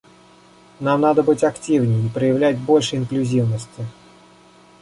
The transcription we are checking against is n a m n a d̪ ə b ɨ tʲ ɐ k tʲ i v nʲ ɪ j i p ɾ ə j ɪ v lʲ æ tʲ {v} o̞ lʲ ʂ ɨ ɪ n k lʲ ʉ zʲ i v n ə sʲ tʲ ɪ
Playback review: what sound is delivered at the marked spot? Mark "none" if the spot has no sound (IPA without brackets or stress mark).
b